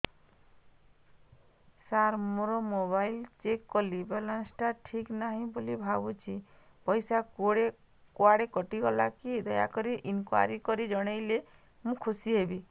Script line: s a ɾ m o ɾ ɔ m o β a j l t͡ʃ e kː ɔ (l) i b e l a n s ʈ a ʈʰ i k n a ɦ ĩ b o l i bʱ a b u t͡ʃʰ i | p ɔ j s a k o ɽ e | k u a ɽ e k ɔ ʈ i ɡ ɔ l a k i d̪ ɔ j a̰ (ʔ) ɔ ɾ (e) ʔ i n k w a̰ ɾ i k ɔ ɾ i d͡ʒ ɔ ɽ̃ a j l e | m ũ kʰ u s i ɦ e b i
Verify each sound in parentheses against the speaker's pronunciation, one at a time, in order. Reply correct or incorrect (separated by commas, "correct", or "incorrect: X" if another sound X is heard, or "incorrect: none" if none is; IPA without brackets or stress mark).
correct, incorrect: k, incorrect: i